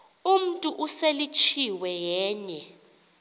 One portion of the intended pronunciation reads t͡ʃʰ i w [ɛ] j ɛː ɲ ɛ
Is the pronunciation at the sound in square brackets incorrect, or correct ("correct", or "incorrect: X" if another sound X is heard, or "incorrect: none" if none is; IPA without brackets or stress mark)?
correct